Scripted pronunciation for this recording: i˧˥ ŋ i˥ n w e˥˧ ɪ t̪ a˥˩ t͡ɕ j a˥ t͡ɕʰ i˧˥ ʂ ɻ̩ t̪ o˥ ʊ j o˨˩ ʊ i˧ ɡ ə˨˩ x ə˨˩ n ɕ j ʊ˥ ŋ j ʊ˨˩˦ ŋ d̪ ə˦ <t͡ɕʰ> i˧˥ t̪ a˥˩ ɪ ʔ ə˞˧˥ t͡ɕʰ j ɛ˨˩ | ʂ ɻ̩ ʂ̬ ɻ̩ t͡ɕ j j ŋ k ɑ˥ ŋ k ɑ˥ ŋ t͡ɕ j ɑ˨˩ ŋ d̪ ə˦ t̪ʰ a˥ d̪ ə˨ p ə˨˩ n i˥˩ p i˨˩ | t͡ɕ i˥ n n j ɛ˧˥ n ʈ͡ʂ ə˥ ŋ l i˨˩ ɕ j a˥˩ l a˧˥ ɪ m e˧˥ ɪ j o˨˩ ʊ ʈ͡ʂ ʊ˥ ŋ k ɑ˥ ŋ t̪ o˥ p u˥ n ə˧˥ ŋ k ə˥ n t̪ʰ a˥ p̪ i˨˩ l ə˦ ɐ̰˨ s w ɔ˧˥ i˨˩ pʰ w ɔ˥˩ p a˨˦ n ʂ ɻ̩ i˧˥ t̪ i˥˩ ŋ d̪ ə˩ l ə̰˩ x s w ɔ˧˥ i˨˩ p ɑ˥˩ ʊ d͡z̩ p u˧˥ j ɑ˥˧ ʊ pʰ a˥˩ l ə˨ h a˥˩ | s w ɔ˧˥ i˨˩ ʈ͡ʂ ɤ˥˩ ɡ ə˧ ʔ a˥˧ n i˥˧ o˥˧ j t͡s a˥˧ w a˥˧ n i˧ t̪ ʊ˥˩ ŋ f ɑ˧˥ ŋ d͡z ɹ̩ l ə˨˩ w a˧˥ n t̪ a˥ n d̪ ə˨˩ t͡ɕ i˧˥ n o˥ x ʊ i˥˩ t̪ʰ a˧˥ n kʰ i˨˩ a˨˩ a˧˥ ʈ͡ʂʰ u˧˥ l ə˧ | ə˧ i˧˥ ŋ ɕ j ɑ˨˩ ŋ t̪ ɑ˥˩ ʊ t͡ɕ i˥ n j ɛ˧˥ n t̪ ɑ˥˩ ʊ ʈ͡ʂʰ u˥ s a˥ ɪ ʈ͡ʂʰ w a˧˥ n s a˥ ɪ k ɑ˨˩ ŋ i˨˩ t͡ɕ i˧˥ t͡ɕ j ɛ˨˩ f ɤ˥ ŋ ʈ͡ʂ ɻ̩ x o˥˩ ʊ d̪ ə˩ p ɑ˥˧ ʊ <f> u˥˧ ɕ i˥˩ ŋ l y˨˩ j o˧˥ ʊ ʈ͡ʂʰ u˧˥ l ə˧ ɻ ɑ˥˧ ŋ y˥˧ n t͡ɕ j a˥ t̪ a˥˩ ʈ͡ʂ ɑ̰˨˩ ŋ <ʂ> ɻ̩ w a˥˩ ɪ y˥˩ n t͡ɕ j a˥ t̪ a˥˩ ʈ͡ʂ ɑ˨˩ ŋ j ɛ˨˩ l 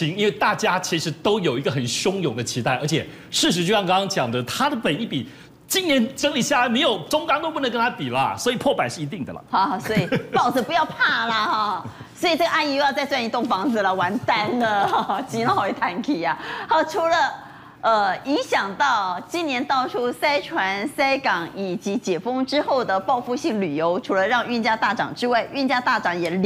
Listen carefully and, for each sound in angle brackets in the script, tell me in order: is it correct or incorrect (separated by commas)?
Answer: correct, correct, incorrect